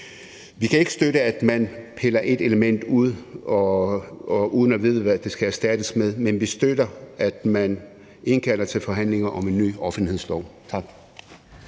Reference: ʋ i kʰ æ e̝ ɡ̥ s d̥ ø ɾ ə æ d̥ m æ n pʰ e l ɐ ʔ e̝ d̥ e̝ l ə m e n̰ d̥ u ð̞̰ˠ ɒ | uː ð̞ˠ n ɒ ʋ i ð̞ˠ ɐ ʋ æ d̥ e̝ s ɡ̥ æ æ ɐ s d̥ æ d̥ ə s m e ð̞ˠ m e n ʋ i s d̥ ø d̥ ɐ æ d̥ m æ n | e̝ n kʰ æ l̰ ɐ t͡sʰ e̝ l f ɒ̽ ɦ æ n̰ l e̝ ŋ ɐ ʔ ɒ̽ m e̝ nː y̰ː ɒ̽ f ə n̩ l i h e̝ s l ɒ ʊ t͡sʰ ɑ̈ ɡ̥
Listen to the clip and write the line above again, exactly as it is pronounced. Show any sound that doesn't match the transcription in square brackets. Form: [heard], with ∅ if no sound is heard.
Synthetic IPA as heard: ʋ i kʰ æ e̝ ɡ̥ s d̥ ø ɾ ə æ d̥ m æ n pʰ e l ɐ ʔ e̝ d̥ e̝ l ə m e n̰ d̥ u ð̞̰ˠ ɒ | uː ð̞ˠ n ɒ ʋ i ð̞ˠ [ə] ʋ æ d̥ e̝ s ɡ̥ æ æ ɐ s d̥ æ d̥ ə s m e ð̞ˠ m e n ʋ i s d̥ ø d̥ ɐ æ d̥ m æ n | e̝ n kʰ æ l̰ ɐ t͡sʰ e̝ l f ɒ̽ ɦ æ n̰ l e̝ ŋ ɐ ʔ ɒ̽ m e̝ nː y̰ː ɒ̽ f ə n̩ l i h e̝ s l ɒ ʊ t͡sʰ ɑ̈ ɡ̥